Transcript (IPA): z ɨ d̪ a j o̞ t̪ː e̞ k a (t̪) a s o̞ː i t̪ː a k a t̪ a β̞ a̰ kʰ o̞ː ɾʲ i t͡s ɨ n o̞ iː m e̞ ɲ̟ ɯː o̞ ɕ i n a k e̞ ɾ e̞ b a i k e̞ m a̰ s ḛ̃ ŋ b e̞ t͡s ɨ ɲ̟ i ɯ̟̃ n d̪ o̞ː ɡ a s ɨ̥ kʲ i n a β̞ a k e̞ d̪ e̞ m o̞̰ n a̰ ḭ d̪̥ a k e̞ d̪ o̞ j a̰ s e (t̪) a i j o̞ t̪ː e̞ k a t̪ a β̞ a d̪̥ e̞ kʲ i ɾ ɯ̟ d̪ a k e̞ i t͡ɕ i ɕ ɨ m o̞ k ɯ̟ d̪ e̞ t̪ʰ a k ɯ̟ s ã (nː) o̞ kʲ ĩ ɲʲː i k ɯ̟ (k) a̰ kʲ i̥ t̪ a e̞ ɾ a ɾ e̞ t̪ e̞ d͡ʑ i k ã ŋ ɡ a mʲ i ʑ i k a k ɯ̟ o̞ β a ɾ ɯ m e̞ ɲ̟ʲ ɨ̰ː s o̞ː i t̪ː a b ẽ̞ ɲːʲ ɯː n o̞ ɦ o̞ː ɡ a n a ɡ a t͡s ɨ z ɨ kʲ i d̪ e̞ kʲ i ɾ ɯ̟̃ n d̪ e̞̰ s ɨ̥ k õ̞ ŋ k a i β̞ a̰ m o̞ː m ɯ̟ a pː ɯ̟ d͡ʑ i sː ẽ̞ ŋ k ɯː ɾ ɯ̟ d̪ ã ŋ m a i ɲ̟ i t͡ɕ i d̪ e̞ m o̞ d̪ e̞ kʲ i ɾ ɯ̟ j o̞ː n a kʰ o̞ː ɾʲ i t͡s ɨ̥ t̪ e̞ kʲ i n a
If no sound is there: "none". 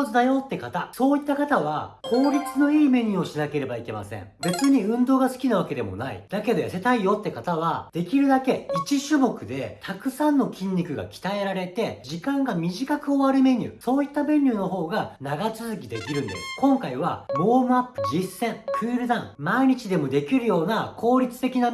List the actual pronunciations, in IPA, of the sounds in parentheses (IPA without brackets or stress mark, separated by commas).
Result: t̪, t̪, nː, ɡ